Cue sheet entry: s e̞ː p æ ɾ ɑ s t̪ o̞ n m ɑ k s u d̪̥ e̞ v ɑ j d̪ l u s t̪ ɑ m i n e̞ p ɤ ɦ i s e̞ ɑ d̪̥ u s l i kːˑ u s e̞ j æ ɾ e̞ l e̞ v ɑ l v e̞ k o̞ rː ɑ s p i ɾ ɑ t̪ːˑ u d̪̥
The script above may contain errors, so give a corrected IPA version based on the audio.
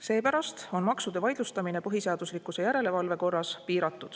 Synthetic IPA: s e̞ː p æ ɾ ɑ s t̪ o̞ n m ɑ k s u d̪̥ e̞ v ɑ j d̪ l u s t̪ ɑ m i n e̞ p ɤ ɦ i s e̞ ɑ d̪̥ u s l i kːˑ u s e̞ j æ ɾ e̞ l e̞ v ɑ l v e̞ k o̞ rː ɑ s p iː ɾ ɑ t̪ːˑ u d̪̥

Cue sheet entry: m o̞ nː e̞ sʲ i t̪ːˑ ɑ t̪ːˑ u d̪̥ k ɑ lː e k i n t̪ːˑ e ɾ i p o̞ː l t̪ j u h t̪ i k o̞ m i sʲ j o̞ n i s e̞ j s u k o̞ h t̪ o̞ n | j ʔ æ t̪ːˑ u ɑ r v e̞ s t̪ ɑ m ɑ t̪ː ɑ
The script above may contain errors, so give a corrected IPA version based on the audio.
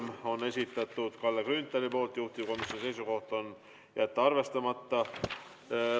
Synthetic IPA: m o̞ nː e̞ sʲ i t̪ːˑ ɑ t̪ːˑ u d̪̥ k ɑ lː e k y n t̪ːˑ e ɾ i p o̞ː l t̪ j u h t̪ i k o̞ m i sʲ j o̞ n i s e̞ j s u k o̞ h t̪ o̞ n | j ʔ æ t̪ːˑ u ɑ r v e̞ s t̪ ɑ m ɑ t̪ː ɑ

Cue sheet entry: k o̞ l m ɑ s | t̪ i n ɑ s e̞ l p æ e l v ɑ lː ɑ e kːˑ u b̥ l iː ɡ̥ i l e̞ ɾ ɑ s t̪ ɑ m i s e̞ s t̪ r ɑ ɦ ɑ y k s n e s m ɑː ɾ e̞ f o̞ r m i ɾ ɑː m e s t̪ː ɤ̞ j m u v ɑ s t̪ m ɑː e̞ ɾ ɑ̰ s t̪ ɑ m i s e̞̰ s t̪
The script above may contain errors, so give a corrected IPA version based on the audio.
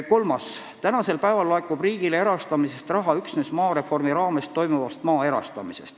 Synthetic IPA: k o̞ l m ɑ s | t̪ æ n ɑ s e̞ l p æ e v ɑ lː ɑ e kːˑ u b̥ r iː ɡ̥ i l e̞ ɾ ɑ s t̪ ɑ m i s e̞ s t̪ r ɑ ɦ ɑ y k s n e s m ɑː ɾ e̞ f o̞ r m i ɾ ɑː m e s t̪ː o̞ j m u v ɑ s t̪ m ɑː e̞ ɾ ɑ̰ s t̪ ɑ m i s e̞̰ s t̪

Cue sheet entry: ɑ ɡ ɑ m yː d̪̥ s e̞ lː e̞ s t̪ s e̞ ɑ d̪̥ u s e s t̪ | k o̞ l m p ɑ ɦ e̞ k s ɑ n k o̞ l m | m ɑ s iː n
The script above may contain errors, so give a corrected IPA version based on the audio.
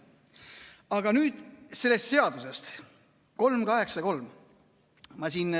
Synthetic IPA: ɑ ɡ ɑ n yː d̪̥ s e̞ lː e̞ s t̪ s e̞ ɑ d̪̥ u s e s t̪ | k o̞ l m k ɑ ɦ e̞ k s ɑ k o̞ l m | m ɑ s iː n

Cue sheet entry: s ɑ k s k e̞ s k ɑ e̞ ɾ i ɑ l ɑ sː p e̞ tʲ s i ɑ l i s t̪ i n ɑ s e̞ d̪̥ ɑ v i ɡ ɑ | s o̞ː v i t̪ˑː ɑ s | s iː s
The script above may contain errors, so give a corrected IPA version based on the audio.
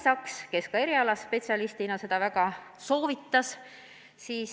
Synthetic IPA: s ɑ k s k e̞ s k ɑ e̞ ɾ i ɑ l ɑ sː p e̞ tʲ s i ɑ l i s t̪ i n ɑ s e̞ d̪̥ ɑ v æ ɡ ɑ | s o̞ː v i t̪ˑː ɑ s | s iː s

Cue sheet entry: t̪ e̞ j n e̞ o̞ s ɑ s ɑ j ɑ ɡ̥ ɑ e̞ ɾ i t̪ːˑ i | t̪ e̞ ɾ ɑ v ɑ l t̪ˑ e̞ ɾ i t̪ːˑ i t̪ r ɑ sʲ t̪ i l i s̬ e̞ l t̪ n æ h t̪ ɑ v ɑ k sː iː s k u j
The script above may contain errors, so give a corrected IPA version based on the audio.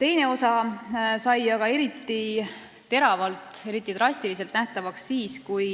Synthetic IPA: t̪ e̞ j n e̞ o̞ s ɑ s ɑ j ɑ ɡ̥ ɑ e̞ ɾ i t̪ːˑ i | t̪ e̞ ɾ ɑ v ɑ l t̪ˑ e̞ ɾ i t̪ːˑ i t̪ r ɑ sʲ t̪ i l i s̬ e̞ l t̪ n æ h t̪ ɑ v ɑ k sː iː s k u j

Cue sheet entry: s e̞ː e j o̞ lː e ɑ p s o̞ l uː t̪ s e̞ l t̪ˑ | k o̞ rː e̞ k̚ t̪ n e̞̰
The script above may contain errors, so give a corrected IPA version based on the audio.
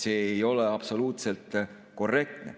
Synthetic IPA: s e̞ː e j o̞ l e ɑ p s o̞ l uː t̪ s e̞ l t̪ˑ | k o̞ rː e̞ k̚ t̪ n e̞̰

